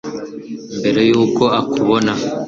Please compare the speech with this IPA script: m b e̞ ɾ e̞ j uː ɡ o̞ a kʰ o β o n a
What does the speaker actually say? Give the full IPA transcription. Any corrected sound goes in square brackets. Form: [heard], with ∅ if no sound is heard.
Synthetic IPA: m b e̞ ɾ e̞ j uː [k] o̞ a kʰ [u] β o n a